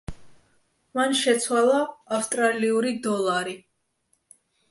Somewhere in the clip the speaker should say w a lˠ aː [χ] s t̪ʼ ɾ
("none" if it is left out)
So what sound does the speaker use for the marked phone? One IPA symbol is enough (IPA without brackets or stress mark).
f